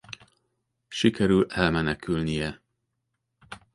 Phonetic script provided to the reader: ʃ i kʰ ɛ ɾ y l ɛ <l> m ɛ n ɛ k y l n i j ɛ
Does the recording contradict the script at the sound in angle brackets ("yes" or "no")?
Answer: no